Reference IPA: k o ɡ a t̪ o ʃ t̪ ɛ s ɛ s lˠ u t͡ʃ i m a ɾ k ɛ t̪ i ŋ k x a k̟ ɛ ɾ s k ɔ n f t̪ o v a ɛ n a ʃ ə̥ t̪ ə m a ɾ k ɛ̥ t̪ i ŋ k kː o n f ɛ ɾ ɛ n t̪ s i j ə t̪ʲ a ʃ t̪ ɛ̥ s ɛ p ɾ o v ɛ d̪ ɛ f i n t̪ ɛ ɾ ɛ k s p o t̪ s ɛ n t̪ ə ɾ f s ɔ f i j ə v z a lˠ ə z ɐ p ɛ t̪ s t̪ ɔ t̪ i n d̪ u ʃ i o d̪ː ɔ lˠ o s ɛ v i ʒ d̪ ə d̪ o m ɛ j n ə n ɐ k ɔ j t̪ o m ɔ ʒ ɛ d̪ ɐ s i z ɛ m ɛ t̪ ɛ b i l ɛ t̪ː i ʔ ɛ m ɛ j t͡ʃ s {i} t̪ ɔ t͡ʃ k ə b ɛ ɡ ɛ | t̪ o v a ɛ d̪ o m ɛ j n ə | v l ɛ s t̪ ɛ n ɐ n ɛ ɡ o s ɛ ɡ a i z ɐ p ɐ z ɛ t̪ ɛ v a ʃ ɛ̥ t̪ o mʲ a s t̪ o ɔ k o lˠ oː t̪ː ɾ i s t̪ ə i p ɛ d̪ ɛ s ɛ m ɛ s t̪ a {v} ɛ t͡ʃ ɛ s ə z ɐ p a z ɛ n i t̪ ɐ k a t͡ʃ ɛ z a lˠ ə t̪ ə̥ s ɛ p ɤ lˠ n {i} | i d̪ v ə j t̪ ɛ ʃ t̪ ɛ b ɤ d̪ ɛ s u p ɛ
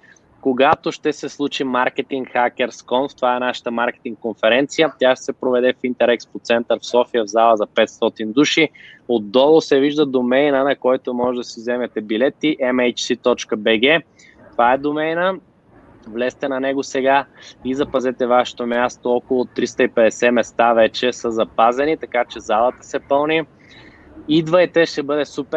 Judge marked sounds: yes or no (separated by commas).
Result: yes, yes, yes